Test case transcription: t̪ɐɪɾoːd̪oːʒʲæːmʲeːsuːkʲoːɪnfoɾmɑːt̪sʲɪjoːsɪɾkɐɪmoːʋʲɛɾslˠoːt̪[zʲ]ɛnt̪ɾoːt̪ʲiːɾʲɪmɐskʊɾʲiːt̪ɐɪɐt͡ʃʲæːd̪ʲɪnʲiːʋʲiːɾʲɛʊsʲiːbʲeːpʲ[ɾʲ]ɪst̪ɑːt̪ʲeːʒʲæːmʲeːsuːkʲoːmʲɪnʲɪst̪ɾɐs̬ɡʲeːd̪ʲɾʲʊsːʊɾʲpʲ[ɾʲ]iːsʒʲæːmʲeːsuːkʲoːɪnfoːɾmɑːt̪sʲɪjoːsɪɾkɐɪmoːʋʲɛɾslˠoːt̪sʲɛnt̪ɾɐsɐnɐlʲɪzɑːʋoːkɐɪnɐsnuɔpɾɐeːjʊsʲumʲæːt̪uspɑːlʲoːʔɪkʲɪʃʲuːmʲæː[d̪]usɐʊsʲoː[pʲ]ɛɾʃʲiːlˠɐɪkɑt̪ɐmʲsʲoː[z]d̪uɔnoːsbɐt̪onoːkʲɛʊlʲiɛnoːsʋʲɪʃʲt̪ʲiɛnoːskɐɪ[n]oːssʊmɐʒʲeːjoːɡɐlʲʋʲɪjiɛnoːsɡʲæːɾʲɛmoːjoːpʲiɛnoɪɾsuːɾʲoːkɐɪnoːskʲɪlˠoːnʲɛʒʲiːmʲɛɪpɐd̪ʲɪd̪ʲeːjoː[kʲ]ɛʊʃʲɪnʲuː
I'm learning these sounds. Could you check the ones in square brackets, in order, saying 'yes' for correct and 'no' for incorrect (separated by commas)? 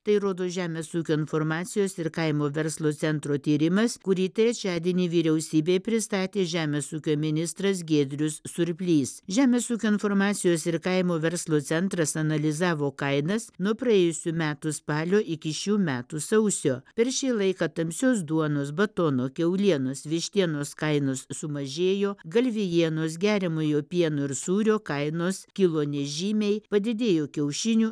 no, yes, no, no, yes, no, yes, yes